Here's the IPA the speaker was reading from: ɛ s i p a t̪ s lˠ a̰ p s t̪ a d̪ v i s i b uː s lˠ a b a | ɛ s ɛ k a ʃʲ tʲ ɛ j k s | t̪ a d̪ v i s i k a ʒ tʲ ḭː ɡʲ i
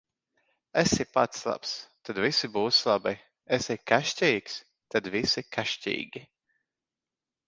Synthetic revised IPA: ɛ s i p a t̪ s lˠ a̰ p s t̪ a d̪ v i s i b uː s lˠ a b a | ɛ s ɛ k a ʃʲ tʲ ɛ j k s | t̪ a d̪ v i s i k a ʃ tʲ ḭː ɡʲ i

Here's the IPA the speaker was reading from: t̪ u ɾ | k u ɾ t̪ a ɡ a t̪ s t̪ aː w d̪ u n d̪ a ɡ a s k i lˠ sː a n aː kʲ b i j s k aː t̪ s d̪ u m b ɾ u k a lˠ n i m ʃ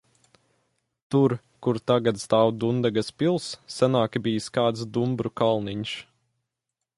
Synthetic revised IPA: t̪ u ɾ | k u ɾ t̪ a ɡ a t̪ s t̪ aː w d̪ u n d̪ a ɡ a s p i lˠ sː a n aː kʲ b i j s k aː t̪ s d̪ u m b ɾ u k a lˠ n i ɲ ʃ

